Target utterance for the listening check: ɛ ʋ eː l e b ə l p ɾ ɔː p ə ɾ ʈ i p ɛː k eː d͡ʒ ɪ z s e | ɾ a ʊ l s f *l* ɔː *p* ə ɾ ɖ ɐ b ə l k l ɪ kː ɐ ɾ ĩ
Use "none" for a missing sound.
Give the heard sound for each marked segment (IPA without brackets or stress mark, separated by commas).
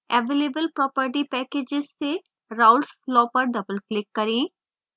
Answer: l, p